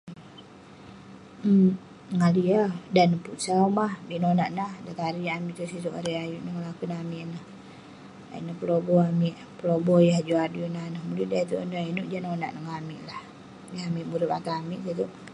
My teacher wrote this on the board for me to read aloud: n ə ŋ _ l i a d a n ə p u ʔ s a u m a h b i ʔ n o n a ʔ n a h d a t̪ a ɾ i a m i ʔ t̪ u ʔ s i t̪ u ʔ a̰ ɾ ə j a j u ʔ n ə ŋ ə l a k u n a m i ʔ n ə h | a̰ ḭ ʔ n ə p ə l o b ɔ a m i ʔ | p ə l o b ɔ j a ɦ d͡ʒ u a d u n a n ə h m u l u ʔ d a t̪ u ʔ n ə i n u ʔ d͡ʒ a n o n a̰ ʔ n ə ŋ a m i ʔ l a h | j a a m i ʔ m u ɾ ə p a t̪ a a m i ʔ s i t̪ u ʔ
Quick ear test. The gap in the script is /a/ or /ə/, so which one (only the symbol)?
a